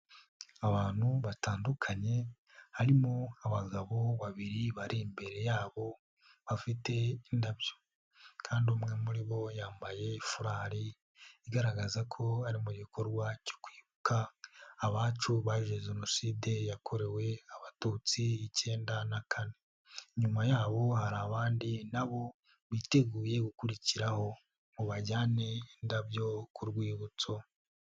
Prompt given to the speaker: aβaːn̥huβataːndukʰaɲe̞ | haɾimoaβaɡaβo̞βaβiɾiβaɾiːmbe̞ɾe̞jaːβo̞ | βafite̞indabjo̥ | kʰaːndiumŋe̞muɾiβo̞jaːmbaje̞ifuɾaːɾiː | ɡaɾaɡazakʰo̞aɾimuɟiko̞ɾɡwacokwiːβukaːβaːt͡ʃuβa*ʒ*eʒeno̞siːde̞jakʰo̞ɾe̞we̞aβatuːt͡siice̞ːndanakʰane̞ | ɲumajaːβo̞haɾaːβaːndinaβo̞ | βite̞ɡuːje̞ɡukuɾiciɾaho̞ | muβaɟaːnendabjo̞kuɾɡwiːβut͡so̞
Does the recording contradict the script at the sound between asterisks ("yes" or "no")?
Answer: no